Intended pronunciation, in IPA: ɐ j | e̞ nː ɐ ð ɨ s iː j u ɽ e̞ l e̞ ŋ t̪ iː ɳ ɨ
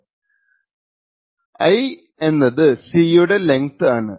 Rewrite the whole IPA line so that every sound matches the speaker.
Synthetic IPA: ɐ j | e̞ nː ɐ ð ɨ s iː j u ɽ e̞ l e̞ ŋ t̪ aː ɳ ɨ